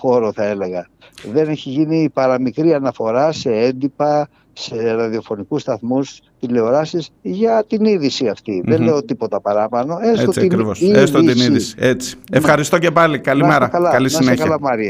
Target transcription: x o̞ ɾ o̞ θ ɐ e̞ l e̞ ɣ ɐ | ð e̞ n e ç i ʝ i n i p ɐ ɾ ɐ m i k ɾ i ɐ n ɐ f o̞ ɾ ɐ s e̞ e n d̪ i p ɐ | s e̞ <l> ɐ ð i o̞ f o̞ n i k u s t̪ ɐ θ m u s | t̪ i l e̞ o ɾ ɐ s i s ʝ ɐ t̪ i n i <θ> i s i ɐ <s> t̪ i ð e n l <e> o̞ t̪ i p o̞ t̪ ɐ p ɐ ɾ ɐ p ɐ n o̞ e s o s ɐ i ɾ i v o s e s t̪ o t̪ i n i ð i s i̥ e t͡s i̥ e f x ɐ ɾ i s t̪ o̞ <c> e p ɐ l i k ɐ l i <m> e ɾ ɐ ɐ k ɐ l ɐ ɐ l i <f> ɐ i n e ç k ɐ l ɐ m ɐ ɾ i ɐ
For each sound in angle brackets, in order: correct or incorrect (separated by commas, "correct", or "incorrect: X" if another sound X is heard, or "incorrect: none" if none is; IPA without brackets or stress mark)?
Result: incorrect: ɾ, incorrect: ð, incorrect: f, correct, correct, correct, incorrect: s